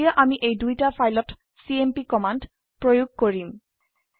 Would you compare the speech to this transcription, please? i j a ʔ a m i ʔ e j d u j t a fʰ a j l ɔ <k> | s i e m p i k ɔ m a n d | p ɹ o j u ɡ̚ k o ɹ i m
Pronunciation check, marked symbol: incorrect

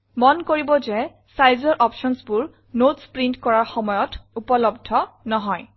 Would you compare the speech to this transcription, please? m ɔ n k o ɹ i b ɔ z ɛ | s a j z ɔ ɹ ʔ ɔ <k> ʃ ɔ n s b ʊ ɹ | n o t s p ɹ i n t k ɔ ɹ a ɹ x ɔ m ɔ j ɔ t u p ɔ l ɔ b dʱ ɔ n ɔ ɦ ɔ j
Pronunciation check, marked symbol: incorrect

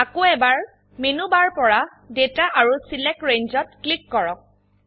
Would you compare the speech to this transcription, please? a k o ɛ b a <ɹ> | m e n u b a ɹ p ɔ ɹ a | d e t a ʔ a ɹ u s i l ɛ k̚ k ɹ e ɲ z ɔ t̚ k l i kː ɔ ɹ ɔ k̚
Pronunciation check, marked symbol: correct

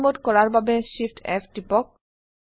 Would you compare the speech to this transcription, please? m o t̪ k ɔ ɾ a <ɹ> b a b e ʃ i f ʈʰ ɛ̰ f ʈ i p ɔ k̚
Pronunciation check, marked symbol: incorrect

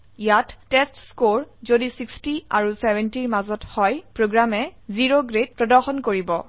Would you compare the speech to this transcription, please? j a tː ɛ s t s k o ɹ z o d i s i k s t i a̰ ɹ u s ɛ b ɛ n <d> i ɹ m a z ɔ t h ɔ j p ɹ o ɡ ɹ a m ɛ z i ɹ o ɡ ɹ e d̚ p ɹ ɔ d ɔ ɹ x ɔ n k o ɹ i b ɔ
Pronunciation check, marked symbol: incorrect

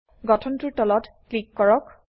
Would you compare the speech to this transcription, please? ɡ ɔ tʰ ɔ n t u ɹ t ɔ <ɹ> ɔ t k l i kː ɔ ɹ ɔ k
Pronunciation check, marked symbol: incorrect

